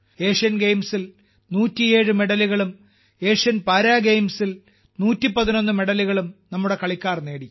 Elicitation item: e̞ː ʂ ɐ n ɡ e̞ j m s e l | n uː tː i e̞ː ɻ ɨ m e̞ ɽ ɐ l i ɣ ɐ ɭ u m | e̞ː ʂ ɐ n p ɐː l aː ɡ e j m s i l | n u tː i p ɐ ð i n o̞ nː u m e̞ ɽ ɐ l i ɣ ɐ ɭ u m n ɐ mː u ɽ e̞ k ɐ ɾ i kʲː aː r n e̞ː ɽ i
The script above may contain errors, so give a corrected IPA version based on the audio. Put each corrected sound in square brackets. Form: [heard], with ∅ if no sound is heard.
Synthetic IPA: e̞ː ʂ ɐ n ɡ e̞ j m s [i] l | n uː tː i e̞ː ɻ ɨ m e̞ ɽ ɐ l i ɣ ɐ ɭ u m | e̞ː ʂ ɐ n p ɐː [ɾ] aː ɡ e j m s i l | n [uː] tː i p ɐ ð i n o̞ nː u m e̞ ɽ ɐ l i ɣ ɐ ɭ u m n ɐ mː u ɽ e̞ k ɐ [ɭ] i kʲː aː r n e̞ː ɽ i